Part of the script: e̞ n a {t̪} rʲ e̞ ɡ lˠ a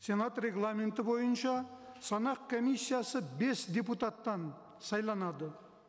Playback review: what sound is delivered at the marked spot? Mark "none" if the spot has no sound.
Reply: t̪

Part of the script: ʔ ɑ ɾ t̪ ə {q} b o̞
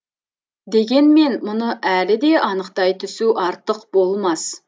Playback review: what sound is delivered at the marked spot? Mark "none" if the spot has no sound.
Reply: q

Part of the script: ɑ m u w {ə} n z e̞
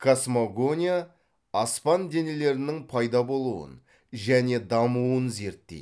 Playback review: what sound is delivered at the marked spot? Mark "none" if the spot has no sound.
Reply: ə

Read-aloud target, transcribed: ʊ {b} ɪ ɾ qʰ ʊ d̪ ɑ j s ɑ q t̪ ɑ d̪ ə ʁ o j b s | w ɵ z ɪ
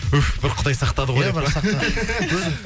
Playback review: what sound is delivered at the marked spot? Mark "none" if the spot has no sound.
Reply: b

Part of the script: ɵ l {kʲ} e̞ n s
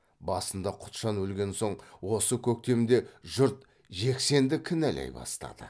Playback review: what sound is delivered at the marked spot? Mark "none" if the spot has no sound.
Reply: ɡʲ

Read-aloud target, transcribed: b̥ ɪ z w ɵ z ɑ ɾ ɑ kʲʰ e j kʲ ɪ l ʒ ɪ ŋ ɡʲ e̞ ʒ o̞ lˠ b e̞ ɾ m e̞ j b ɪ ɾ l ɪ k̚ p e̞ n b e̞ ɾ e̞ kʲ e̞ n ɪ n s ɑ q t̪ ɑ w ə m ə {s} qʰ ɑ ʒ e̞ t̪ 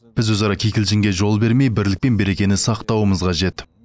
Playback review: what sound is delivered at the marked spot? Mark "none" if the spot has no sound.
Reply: z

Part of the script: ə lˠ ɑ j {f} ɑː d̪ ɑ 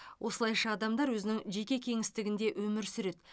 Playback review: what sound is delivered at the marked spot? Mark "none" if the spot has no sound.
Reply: ʃ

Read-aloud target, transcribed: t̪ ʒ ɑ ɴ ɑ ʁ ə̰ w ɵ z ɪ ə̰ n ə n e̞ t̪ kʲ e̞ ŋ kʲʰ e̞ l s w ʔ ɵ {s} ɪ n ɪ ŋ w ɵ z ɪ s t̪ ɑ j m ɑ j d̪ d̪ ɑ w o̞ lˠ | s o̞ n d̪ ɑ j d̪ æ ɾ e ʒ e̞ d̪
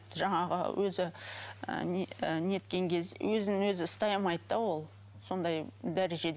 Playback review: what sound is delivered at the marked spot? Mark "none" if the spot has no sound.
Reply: z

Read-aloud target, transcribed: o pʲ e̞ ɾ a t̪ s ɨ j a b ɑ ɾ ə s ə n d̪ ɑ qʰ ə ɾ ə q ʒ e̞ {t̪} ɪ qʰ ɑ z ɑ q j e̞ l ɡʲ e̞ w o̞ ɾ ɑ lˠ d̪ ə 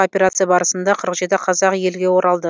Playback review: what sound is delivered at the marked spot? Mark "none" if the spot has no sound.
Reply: t̪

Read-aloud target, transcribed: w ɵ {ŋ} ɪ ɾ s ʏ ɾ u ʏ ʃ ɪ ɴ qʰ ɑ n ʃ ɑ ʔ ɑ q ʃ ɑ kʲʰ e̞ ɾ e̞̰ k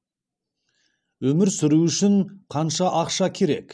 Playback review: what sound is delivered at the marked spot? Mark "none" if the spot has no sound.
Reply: m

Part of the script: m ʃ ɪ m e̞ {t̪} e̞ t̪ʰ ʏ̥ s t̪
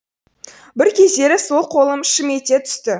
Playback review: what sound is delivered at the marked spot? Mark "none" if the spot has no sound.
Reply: t̪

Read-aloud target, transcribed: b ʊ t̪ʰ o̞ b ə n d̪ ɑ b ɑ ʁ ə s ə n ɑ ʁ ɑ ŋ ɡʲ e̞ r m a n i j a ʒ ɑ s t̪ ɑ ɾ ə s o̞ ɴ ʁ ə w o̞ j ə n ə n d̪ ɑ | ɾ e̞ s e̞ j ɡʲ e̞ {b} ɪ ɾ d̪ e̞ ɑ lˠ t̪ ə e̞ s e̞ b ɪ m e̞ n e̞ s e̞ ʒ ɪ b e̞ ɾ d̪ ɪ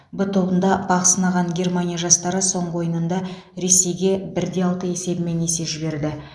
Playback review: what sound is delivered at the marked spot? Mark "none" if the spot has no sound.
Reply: b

